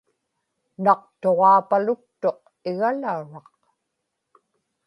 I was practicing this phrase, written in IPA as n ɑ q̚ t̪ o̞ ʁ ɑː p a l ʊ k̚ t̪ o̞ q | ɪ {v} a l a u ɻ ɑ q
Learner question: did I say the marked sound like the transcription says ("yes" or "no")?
no